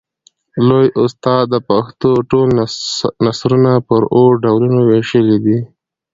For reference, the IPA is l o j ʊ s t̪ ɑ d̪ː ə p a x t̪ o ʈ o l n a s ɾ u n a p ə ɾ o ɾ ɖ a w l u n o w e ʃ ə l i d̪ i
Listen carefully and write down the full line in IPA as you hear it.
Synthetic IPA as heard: l o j ʊ s t̪ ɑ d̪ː ə p a x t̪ o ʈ o l n a s ɾ u n a p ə ɾ o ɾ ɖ a w l u n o w e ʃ ə l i d̪ i